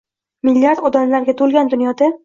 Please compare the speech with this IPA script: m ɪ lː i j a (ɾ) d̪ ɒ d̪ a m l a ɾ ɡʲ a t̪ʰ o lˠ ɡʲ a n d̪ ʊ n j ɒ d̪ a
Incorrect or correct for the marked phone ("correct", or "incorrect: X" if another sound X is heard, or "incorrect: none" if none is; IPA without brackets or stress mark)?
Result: correct